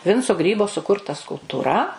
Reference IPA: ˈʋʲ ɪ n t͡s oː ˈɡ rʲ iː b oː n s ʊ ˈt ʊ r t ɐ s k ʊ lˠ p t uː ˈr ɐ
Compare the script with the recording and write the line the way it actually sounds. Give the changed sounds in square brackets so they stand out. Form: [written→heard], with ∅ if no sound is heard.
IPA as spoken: ˈʋʲ ɪ n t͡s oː ˈɡ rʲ iː b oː [n→∅] s ʊ [ˈt→ˈk] ʊ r t ɐ s k ʊ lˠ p t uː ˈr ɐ